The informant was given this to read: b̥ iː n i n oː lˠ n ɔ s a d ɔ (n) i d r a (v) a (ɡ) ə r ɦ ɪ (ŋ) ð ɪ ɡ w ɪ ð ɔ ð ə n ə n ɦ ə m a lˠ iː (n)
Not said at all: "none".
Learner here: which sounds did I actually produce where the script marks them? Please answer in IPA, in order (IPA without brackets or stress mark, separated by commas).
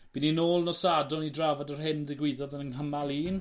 n, v, d, n, n